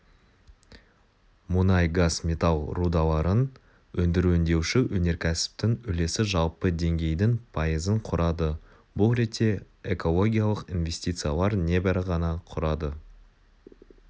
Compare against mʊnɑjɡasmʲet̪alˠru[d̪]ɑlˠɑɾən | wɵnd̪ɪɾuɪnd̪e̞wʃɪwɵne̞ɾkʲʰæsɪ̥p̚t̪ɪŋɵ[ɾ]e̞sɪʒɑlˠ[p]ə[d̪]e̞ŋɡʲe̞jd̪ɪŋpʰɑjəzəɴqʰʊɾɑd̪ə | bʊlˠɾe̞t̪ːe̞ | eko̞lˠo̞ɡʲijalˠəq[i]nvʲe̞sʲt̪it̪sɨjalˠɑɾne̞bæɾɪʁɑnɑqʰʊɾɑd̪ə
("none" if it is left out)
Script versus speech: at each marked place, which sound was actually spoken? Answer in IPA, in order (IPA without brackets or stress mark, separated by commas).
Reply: d̪, l, p, d̪, i